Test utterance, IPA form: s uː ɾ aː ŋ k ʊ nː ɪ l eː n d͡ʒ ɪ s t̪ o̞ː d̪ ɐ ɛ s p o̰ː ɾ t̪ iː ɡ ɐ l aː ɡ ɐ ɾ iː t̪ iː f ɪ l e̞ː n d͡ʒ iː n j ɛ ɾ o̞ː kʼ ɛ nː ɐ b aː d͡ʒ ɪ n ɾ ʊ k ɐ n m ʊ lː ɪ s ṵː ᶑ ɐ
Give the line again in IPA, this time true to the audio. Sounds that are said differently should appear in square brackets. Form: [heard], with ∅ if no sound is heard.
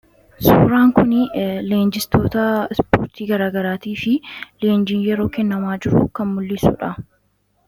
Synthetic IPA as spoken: s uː ɾ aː ŋ k ʊ [n] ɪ l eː n d͡ʒ ɪ s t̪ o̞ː [t̪] ɐ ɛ s p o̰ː ɾ t̪ iː ɡ ɐ [ɾ] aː ɡ ɐ ɾ [aː] t̪ iː f ɪ l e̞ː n d͡ʒ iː n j ɛ ɾ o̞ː [k] ɛ nː ɐ [m] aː d͡ʒ ɪ [∅] ɾ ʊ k ɐ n m ʊ lː ɪ s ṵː ᶑ ɐ